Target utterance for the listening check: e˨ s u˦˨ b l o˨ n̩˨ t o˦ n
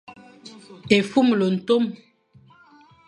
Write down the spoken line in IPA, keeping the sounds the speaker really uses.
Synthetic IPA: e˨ f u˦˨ m l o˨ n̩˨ t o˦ m